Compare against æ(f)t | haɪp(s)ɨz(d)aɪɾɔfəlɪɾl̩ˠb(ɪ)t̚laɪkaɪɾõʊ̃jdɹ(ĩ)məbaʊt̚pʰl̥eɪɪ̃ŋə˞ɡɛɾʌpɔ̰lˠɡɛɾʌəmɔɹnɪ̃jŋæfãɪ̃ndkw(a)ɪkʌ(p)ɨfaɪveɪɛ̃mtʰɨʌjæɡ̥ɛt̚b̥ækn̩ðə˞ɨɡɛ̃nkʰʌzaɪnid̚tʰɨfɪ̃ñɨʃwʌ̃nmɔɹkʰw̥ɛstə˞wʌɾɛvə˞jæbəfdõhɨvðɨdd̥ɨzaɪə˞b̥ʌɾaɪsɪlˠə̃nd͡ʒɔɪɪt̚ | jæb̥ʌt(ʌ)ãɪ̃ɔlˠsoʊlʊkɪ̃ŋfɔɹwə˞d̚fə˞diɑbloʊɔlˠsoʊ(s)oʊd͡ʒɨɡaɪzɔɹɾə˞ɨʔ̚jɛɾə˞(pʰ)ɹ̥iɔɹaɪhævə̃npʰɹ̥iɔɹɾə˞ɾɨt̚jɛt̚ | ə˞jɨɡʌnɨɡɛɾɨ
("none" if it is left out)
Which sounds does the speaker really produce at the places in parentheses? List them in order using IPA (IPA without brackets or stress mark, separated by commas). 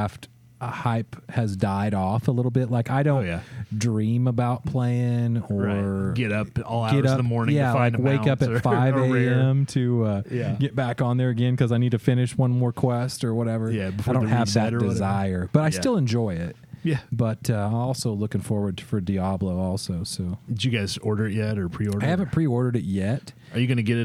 f, h, d, ɪ, ĩ, e, p, ʌ, s, pʰ